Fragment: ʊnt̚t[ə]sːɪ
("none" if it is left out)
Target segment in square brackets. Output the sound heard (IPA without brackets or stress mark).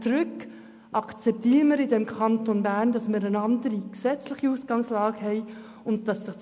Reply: ɑ